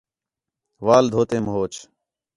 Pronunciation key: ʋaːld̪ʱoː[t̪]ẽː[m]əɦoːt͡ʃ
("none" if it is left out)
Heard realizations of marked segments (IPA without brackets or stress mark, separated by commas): t̪, m